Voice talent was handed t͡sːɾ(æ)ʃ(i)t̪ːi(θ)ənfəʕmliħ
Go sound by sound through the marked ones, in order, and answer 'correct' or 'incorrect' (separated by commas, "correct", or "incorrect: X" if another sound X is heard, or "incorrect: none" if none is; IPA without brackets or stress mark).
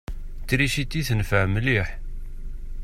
incorrect: i, correct, correct